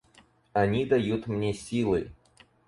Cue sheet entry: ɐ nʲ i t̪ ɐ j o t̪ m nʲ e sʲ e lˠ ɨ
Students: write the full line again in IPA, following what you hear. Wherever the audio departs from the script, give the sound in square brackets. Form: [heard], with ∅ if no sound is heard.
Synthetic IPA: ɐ nʲ i [d̪] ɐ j [u] t̪ m nʲ e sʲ [i] lˠ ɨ

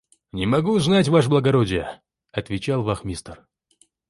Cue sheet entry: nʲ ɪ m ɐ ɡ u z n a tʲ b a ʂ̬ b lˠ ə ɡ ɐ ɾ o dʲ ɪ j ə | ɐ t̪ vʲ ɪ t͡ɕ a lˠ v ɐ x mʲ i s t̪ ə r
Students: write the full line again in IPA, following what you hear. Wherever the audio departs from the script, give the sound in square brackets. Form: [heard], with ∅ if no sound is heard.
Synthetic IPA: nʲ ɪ m ɐ ɡ u z n a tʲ [v] a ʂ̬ b lˠ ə ɡ ɐ ɾ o dʲ ɪ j ə | ɐ t̪ vʲ ɪ t͡ɕ a lˠ v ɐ x mʲ i s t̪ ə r

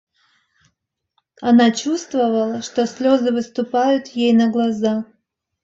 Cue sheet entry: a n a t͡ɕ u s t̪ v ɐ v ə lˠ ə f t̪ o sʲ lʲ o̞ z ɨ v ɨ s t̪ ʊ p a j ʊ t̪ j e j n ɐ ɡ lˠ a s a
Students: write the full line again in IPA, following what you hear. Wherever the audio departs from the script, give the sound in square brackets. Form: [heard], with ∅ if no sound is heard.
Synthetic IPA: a n a t͡ɕ u s t̪ v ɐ v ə lˠ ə [ʂ] t̪ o sʲ lʲ o̞ z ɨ v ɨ s t̪ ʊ p a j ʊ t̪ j e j n ɐ ɡ lˠ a [z] a

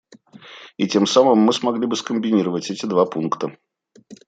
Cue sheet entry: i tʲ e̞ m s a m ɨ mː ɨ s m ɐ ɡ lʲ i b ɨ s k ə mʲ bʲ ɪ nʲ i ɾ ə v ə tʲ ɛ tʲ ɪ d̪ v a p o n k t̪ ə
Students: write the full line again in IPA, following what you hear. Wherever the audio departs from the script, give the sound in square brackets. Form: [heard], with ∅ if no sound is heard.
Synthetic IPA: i tʲ e̞ m s a m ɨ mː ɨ s m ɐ ɡ lʲ i b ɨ s k ə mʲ bʲ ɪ nʲ i ɾ ə v ə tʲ ɛ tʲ ɪ d̪ v a p [u] n k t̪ ə

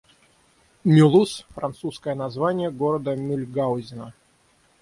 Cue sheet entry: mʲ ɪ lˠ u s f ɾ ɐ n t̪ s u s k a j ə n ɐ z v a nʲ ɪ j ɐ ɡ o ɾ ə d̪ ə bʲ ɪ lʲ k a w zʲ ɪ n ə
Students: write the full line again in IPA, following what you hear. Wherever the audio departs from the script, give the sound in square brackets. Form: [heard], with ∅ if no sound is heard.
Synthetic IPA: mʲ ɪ lˠ u s f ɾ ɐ n t̪ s u s k [ə] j ə n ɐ z v a nʲ ɪ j [ə] ɡ o ɾ ə d̪ ə [mʲ] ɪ lʲ [ɡ] a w zʲ ɪ n ə

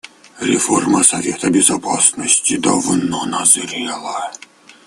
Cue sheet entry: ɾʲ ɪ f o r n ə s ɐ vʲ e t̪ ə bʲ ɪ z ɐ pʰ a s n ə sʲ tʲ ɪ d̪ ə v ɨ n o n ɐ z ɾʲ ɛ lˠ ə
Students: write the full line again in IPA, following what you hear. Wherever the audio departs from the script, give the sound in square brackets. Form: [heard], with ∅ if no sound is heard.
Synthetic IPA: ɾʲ ɪ f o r [m] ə s ɐ vʲ e t̪ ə bʲ ɪ z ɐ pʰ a s n ə sʲ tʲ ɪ d̪ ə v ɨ n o n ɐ z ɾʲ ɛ lˠ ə

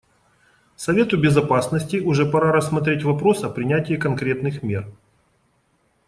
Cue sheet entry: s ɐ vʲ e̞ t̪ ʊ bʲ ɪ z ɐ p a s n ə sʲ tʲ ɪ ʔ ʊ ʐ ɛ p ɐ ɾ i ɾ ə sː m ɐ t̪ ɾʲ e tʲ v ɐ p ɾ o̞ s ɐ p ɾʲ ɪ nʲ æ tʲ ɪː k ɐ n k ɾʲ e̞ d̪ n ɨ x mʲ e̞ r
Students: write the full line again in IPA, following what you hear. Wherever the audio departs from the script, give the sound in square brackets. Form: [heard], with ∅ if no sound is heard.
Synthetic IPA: s ɐ vʲ e̞ t̪ ʊ bʲ ɪ z ɐ p a s n ə sʲ tʲ ɪ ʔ ʊ ʐ ɛ p ɐ ɾ [a] ɾ ə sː m ɐ t̪ ɾʲ e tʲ v ɐ p ɾ o̞ s ɐ p ɾʲ ɪ nʲ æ tʲ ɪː k ɐ n k ɾʲ e̞ [t̪] n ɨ x mʲ e̞ r

